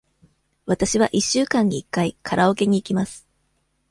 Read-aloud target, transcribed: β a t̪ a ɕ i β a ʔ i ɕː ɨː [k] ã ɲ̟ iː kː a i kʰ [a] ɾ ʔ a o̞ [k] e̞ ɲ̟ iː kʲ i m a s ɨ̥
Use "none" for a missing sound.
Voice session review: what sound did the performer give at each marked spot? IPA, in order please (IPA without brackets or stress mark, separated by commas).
k, a, k